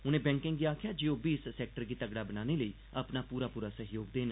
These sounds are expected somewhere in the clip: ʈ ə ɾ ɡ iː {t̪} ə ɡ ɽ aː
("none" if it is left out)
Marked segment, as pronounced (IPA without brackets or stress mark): t̪